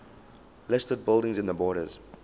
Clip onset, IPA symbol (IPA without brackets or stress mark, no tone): l